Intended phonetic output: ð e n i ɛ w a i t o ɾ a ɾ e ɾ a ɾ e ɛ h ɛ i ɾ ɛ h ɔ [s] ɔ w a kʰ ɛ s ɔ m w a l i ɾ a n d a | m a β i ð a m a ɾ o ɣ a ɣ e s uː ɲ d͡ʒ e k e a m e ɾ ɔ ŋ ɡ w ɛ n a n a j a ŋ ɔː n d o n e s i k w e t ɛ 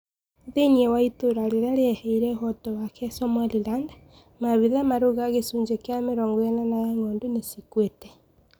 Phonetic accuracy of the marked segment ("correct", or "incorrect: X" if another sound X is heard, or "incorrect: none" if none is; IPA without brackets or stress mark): incorrect: t